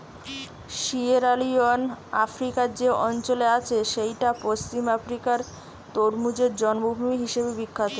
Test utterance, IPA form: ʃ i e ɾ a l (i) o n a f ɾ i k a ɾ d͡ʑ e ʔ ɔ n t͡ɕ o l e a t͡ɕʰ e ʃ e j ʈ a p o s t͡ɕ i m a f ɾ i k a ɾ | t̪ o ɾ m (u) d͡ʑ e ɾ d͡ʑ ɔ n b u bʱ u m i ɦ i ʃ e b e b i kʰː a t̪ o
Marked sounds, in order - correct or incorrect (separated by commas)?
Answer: correct, correct